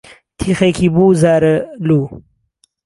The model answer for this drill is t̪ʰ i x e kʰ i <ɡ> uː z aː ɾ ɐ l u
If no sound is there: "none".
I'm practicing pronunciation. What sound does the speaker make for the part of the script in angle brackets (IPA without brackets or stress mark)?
b